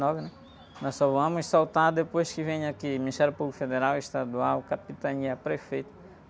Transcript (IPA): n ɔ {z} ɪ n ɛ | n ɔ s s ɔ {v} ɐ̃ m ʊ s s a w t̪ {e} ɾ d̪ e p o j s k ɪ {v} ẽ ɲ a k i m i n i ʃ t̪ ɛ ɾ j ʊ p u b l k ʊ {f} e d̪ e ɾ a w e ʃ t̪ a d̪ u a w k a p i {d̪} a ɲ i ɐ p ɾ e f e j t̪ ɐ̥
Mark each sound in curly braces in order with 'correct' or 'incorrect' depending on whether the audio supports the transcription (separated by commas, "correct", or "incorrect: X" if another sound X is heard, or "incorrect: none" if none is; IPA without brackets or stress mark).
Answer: incorrect: v, correct, incorrect: a, correct, correct, incorrect: t̪